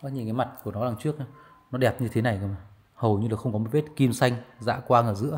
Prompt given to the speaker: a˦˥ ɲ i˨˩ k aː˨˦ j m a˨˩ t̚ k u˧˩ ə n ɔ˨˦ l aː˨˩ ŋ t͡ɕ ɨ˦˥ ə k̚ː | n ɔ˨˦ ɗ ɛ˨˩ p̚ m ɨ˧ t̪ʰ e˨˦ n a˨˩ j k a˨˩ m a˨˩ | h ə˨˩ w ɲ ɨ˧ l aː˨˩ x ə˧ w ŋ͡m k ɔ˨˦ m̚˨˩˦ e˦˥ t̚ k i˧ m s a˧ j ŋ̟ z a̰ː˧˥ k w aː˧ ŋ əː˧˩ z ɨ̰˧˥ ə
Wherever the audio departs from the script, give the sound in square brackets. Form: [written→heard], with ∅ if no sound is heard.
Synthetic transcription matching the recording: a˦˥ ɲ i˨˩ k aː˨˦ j m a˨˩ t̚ k u˧˩ ə n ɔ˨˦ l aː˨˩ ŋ t͡ɕ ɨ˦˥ ə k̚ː | n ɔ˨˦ ɗ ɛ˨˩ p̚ [m→ɲ] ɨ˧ t̪ʰ e˨˦ n a˨˩ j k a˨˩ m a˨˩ | h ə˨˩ w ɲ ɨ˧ l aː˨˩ x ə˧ w ŋ͡m k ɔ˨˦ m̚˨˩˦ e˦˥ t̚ k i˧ m s a˧ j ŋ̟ z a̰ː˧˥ k w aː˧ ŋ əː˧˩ z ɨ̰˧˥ ə

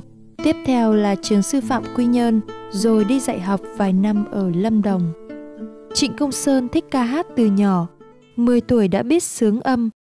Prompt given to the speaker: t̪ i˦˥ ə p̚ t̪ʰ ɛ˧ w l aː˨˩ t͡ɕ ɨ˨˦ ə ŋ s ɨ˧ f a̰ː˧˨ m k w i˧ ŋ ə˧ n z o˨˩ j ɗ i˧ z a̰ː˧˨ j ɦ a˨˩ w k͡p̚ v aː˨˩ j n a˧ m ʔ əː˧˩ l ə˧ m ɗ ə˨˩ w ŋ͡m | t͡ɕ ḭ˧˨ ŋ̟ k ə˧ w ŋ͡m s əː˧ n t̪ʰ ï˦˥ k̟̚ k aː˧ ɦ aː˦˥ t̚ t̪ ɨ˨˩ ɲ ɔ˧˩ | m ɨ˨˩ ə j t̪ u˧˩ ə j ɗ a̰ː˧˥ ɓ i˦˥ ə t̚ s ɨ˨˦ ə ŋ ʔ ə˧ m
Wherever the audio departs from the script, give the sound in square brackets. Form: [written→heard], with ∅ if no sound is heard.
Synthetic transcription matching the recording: t̪ i˦˥ ə p̚ t̪ʰ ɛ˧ w l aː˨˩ t͡ɕ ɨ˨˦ ə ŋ s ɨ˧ f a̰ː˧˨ m k w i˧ [ŋ→ɲ] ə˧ n z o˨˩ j ɗ i˧ z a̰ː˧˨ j ɦ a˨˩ w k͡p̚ v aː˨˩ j n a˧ m ʔ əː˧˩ l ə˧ m ɗ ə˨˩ w ŋ͡m | t͡ɕ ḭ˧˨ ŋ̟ k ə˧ w ŋ͡m s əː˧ n t̪ʰ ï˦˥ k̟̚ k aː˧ ɦ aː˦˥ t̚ t̪ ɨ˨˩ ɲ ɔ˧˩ | m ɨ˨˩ ə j t̪ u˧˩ ə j ɗ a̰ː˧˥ ɓ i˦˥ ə t̚ s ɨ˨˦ ə ŋ ʔ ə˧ m

